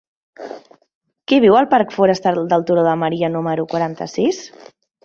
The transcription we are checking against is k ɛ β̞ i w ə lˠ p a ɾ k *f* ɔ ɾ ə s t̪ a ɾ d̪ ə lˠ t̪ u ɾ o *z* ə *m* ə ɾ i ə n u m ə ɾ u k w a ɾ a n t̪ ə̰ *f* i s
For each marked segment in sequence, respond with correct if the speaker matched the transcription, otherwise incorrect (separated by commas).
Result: correct, incorrect, correct, incorrect